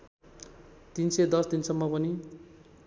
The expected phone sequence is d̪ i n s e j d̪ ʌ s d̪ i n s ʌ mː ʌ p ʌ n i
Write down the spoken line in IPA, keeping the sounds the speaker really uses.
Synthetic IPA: t̪ i n s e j d̪ ʌ s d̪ i n s ʌ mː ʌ p ʌ n i